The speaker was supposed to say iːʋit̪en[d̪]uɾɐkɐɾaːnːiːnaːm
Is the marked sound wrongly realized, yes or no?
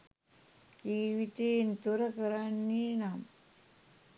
yes